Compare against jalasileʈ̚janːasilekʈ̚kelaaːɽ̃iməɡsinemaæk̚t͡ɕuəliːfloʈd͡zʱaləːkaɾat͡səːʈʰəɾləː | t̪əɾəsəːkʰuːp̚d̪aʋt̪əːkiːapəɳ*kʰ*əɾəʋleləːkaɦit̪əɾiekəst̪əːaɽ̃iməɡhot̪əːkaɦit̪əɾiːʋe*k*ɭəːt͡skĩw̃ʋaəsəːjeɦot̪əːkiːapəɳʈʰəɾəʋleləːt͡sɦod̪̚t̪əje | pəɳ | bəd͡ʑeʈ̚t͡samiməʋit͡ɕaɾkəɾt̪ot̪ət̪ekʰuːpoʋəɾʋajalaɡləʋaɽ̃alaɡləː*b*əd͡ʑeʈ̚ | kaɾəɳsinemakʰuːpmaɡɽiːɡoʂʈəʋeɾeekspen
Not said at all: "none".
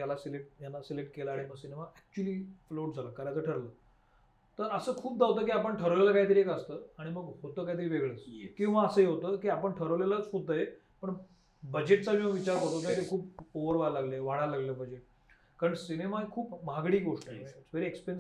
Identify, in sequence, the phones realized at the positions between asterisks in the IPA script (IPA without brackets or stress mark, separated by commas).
ʈʰ, ɡ, b